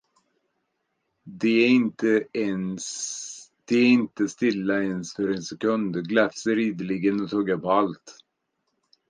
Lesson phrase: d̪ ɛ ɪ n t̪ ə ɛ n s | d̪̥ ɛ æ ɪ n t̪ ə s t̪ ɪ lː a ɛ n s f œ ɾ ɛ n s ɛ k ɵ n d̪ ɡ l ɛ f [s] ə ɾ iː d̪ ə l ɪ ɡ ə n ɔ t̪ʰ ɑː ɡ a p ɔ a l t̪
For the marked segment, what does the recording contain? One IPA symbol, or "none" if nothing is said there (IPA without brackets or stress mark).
s